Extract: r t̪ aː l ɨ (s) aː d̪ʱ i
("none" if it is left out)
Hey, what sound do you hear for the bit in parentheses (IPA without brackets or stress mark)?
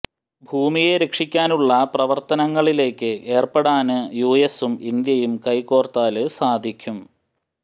s